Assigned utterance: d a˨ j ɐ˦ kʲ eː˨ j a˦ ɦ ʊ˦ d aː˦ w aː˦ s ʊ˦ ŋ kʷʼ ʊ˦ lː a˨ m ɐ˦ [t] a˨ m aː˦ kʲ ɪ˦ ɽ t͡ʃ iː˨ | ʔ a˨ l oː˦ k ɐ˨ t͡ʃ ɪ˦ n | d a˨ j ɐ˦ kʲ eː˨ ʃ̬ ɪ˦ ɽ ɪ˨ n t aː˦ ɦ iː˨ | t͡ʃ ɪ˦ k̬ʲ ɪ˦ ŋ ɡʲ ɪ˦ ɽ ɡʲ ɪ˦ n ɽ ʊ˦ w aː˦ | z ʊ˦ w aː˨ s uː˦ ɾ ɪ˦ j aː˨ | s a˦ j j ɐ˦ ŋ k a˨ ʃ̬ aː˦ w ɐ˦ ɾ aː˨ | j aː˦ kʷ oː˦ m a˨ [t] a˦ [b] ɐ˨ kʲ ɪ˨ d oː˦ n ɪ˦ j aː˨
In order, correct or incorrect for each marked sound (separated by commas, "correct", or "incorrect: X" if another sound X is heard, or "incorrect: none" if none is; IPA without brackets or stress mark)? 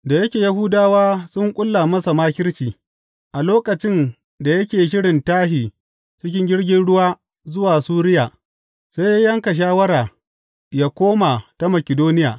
incorrect: s, correct, incorrect: m